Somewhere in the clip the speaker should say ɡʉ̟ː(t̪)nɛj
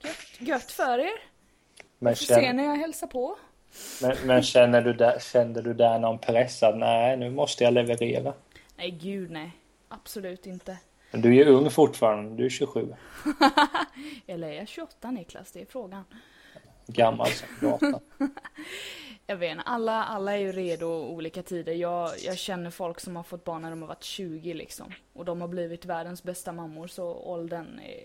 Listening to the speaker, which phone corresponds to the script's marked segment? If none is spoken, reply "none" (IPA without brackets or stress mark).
d̪